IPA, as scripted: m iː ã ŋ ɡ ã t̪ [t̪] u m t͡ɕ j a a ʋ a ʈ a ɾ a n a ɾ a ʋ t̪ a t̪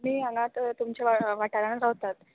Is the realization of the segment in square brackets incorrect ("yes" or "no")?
no